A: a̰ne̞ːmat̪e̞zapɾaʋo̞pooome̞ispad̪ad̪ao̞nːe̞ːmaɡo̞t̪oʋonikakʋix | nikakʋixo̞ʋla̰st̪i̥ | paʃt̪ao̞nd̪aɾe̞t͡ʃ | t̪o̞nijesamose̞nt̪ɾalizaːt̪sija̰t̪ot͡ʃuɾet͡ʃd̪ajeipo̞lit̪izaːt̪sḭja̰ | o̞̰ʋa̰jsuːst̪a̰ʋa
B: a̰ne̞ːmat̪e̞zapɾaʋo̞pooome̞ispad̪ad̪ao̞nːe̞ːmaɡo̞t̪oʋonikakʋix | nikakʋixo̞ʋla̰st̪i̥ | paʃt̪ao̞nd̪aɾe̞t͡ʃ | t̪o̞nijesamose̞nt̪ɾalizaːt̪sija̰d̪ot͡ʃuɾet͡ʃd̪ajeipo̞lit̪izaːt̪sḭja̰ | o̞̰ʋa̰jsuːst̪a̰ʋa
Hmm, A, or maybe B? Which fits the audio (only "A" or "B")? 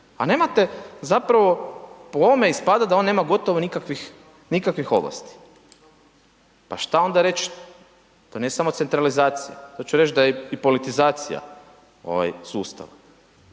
A